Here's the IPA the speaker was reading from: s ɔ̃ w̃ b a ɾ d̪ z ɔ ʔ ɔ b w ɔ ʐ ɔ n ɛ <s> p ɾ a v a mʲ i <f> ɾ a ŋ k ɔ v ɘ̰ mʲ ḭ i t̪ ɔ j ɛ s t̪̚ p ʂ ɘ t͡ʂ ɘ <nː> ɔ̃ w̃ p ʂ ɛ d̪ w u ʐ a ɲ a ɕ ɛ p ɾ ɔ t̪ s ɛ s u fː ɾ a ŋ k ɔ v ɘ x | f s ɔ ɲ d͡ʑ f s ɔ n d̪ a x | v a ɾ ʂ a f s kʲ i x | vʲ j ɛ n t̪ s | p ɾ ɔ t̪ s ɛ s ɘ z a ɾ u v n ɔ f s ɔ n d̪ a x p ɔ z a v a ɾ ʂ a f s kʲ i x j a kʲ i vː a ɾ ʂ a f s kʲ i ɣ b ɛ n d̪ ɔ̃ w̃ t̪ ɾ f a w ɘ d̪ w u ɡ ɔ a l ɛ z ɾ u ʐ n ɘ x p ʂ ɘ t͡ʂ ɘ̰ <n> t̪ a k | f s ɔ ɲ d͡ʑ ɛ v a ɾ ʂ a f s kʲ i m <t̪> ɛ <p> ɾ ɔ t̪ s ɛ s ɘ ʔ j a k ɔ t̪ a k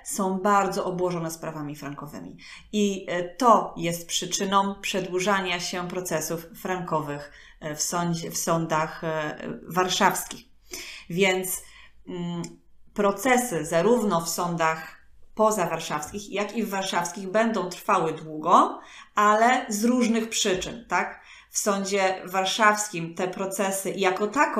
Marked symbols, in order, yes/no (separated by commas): yes, yes, no, yes, yes, yes